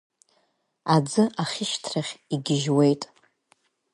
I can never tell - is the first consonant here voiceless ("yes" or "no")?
no